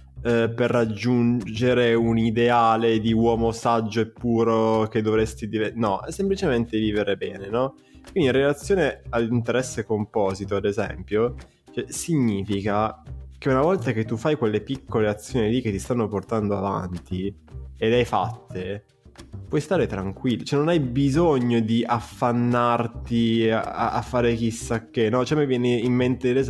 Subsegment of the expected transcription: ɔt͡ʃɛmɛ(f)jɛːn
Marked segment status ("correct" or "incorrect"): incorrect